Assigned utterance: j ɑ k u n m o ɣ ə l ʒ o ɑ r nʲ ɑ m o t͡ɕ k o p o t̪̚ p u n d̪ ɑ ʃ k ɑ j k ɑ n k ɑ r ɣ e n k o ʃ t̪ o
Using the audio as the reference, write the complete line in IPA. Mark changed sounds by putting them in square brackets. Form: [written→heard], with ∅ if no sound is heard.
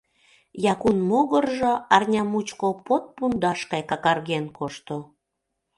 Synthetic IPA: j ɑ k u n m o ɣ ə [l→r] ʒ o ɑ r nʲ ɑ m [o→u] t͡ɕ k o p o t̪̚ p u n d̪ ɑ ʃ k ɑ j k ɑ [n→∅] k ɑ r ɣ e n k o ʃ t̪ o